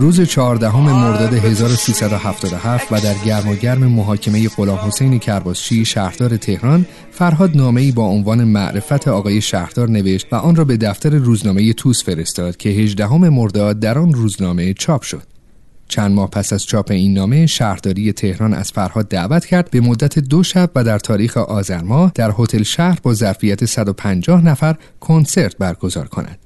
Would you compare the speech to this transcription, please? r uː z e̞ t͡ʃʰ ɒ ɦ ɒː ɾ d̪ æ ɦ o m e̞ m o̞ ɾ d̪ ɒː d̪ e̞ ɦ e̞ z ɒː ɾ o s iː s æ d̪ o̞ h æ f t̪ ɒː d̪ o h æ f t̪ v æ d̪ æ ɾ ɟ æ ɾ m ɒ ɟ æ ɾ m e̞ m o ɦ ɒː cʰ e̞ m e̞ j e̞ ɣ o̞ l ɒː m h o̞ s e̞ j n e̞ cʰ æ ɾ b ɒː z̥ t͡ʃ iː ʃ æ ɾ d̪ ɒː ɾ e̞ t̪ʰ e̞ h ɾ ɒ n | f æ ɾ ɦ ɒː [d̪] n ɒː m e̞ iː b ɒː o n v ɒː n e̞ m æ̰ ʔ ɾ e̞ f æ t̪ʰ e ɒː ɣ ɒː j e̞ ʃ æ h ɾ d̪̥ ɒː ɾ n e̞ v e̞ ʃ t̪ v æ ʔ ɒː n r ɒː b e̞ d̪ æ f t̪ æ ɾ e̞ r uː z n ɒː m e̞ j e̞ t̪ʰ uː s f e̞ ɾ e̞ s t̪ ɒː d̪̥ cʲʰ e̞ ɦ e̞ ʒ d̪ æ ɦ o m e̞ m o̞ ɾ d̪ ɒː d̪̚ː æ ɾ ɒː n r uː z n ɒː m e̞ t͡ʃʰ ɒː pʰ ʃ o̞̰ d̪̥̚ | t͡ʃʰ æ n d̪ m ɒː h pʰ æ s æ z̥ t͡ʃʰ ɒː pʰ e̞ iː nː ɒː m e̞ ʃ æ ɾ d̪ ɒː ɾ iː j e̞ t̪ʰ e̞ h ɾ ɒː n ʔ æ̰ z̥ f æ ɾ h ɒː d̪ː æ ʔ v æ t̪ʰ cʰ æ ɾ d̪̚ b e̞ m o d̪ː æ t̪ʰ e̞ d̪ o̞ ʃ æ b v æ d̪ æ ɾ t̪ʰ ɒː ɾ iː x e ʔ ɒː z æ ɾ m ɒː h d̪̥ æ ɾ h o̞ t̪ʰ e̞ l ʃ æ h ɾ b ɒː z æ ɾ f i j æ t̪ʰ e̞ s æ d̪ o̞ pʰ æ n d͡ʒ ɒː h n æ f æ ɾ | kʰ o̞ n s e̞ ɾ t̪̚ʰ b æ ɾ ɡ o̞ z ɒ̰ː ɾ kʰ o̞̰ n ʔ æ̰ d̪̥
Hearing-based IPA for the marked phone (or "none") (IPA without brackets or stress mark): d̪